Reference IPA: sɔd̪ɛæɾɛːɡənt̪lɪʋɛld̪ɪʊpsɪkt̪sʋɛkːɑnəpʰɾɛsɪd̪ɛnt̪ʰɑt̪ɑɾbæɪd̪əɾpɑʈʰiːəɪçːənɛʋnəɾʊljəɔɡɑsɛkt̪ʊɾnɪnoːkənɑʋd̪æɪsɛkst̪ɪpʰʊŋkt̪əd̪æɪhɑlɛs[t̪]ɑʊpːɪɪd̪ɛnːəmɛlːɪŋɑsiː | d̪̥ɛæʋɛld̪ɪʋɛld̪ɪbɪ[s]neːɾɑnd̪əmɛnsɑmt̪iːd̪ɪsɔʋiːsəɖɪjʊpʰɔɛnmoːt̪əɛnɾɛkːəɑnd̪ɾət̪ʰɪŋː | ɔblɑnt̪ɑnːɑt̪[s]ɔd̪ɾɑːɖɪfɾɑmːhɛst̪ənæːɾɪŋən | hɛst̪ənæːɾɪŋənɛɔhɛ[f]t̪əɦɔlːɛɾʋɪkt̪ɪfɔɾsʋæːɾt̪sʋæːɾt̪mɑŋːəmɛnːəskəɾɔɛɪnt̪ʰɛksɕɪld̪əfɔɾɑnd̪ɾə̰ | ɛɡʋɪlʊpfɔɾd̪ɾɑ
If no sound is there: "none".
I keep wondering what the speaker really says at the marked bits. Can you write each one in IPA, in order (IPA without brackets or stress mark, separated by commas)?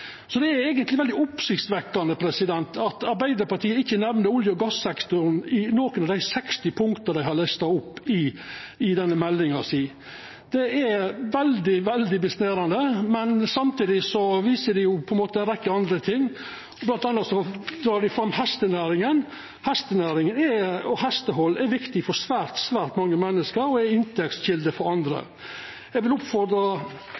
t̪, s, s, s